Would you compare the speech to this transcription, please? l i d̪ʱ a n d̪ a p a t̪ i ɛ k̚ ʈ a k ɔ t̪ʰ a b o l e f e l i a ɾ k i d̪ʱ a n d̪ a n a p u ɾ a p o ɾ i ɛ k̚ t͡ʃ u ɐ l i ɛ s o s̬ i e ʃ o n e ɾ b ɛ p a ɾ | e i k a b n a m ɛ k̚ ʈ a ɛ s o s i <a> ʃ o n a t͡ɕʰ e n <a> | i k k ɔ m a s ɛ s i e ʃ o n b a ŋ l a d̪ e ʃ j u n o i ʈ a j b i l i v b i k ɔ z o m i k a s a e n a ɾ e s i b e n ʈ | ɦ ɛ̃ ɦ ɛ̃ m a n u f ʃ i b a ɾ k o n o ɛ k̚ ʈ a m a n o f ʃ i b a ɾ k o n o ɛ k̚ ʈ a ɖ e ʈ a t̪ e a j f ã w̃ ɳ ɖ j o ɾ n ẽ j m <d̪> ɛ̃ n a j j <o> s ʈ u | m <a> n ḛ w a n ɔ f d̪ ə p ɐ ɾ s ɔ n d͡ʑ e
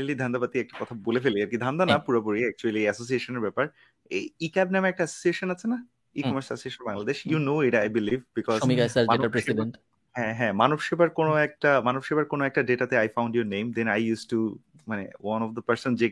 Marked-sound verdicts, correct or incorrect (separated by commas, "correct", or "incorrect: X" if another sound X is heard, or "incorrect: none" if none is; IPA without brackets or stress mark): incorrect: e, correct, correct, incorrect: u, correct